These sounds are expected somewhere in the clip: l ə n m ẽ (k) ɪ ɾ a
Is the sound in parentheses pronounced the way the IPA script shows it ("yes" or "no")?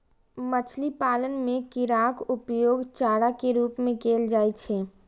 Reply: yes